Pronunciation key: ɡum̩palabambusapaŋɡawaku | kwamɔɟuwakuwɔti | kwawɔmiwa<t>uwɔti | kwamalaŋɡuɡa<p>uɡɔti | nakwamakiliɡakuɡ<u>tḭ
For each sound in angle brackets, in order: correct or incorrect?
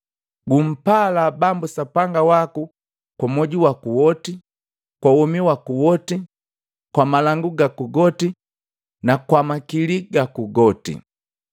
incorrect: k, incorrect: k, incorrect: ɔ

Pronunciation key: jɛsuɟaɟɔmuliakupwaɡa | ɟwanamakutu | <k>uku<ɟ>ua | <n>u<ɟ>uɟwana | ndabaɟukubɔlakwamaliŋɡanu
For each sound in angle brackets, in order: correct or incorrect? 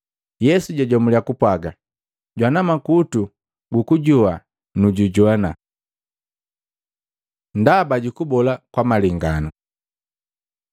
incorrect: ɡ, correct, correct, correct

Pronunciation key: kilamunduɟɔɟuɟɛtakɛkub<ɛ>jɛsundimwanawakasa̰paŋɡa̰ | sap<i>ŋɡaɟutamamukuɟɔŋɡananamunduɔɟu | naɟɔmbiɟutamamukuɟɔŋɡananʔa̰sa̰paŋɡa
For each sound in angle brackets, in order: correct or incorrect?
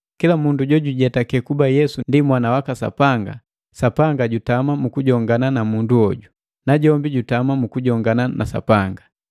incorrect: a, incorrect: a

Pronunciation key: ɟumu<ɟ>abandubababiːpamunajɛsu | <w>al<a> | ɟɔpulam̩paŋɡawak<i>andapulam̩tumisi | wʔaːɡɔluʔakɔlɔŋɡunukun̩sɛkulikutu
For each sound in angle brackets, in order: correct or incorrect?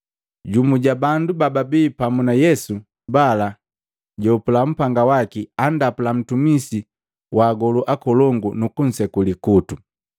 correct, incorrect: b, correct, correct

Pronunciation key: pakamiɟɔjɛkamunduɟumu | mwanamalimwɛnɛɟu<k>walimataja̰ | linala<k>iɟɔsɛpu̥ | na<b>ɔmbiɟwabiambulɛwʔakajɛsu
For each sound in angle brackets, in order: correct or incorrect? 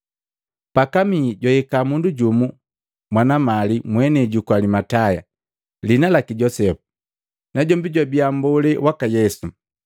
correct, correct, incorrect: ɟ

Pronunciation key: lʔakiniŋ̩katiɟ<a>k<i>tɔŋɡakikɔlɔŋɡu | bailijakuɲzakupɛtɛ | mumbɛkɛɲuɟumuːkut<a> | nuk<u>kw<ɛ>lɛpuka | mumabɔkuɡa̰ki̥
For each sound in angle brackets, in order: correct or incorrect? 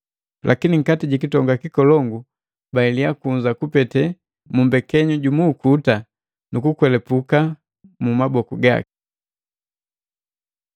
incorrect: i, correct, correct, correct, correct

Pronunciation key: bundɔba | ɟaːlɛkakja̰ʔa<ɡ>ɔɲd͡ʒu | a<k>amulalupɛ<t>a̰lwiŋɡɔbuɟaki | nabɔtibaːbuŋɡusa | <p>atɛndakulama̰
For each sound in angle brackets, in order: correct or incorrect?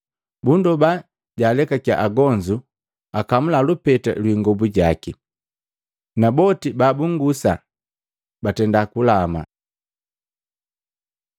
correct, correct, correct, incorrect: b

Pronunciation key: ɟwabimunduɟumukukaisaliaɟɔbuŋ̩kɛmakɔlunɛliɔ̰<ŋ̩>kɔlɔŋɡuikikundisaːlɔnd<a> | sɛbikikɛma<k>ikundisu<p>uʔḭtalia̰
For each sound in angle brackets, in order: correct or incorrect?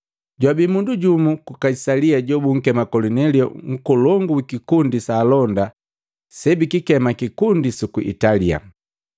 correct, correct, correct, incorrect: k

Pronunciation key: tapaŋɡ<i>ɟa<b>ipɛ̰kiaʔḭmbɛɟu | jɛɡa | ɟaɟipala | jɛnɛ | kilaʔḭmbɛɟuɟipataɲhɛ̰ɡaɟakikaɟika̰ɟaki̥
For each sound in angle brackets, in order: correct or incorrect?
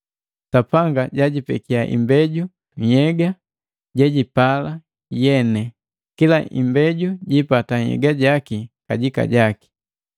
incorrect: a, incorrect: ɟ

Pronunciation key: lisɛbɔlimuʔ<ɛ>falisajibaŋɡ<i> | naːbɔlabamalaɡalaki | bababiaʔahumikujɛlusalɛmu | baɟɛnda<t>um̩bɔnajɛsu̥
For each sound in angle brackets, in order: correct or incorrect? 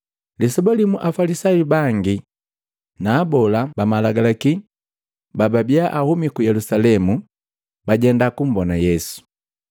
incorrect: a, correct, incorrect: k

